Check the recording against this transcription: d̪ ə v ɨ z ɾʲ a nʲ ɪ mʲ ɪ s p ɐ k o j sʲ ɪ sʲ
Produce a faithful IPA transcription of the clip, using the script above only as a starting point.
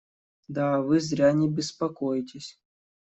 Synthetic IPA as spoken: d̪ a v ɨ z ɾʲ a nʲ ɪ bʲ ɪ s p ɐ k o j tʲ ɪ sʲ